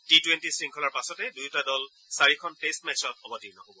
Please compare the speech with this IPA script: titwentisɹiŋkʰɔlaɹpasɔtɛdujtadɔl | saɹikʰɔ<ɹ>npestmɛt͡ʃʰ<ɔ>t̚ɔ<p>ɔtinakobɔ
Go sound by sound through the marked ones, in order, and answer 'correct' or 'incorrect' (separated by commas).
incorrect, correct, incorrect